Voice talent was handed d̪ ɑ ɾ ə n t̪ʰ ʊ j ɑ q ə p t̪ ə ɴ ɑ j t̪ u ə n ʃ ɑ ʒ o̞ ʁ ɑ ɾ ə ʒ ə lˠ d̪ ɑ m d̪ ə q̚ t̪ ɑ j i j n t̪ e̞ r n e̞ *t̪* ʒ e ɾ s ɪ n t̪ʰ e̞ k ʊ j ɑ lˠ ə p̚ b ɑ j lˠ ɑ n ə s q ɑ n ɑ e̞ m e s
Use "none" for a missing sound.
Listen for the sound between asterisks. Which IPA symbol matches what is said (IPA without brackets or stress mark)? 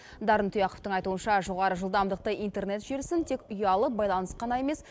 t̪